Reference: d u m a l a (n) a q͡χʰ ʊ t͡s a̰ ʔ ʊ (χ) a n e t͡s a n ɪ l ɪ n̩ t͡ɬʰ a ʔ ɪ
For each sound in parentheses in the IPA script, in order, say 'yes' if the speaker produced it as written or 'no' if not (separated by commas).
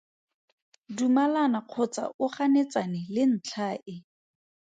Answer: yes, yes